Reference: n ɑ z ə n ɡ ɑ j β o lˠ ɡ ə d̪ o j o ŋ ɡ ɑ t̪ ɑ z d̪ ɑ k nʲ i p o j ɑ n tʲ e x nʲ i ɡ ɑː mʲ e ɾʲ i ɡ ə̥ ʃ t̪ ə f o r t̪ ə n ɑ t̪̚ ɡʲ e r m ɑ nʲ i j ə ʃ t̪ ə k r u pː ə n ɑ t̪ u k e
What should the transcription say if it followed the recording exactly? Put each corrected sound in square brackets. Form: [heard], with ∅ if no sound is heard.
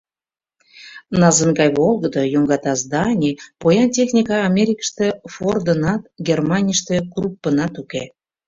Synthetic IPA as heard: n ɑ z ə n ɡ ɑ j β o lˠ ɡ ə d̪ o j o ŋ ɡ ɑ t̪ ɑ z d̪ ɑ [∅] nʲ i p o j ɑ n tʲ e x nʲ i [k] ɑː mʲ e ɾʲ i [k] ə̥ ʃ t̪ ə f o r [d̪] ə n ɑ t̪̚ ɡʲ e r m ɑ nʲ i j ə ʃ t̪ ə k r u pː ə n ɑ t̪ u k e

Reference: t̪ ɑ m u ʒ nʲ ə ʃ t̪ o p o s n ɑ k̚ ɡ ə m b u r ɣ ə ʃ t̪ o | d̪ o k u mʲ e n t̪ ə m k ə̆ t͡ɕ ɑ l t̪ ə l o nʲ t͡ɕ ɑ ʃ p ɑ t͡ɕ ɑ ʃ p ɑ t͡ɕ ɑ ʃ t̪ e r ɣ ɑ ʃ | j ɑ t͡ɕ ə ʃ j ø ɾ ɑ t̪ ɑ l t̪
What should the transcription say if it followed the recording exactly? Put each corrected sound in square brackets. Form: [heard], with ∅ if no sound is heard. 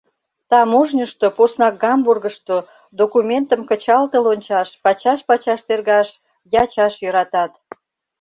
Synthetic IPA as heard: t̪ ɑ m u ʒ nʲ ə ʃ t̪ o p o s n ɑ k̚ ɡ [ɑ] m b u r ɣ ə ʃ t̪ o | d̪ o k u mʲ e n t̪ ə m k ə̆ t͡ɕ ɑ l t̪ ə l o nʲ t͡ɕ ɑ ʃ p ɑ t͡ɕ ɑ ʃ p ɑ t͡ɕ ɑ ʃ t̪ e r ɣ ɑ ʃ | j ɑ t͡ɕ [ɑ] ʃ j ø ɾ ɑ t̪ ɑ [∅] t̪

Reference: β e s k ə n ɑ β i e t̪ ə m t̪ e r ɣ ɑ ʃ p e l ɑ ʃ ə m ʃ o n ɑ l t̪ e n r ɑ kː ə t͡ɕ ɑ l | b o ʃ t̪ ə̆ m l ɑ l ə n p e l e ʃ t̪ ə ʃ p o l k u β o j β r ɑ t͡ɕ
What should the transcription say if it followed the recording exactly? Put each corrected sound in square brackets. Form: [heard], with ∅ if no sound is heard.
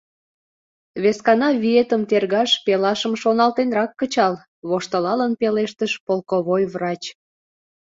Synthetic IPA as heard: β e s k [ɑ] n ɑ β i e t̪ ə m t̪ e r ɣ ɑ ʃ p e l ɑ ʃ ə m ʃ o n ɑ l t̪ e n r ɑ kː ə t͡ɕ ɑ l | [β] o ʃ t̪ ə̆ [∅] l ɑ l ə n p e l e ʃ t̪ ə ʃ p o l k [o] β o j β r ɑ t͡ɕ

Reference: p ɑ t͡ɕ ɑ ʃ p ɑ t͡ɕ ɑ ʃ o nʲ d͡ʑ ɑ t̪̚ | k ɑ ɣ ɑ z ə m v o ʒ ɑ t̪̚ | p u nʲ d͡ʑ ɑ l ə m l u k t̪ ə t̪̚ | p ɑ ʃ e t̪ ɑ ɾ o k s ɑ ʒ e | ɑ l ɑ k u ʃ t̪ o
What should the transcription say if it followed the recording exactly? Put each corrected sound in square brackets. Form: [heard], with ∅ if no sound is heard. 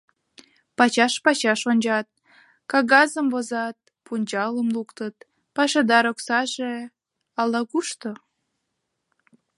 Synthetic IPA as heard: p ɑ t͡ɕ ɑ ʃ p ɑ t͡ɕ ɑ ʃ o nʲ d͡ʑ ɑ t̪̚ | k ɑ ɣ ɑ z ə m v o [z] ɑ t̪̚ | p u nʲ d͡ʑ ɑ l ə m l u k t̪ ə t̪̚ | p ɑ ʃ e [d̪] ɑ ɾ o k s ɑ ʒ e | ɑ l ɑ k u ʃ t̪ o

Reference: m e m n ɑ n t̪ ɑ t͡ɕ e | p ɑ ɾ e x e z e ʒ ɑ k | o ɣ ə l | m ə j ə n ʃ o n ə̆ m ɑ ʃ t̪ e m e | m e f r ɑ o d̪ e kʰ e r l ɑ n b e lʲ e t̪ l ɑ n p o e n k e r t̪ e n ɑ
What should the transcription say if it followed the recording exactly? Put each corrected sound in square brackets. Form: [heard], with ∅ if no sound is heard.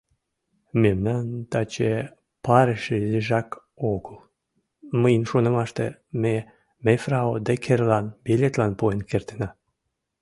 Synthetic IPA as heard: m e m n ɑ n t̪ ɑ t͡ɕ e | p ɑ ɾ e [ʃ] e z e ʒ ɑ k | o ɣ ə l | m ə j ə n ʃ o n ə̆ m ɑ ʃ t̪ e m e | m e f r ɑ o d̪ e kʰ e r l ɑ n b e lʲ e t̪ l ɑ n p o e n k e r t̪ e n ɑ

